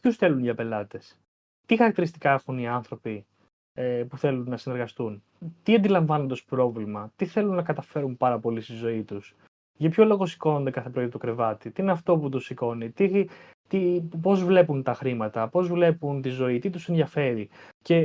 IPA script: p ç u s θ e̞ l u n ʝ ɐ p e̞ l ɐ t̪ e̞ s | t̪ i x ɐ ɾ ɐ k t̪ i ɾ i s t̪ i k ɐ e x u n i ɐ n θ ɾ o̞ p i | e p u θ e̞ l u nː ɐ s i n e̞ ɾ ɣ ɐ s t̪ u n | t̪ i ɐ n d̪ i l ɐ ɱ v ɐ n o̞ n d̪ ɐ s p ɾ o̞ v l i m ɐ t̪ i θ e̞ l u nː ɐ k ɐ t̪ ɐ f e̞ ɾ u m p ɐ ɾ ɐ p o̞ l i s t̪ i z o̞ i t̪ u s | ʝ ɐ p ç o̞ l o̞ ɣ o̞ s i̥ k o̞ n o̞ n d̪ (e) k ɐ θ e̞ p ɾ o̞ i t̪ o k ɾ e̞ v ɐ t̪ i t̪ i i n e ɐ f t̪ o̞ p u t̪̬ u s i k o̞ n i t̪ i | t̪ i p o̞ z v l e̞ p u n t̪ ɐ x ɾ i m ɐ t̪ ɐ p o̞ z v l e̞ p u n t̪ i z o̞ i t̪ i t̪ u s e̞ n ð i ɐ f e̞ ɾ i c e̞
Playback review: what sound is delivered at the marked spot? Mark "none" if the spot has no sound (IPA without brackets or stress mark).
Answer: e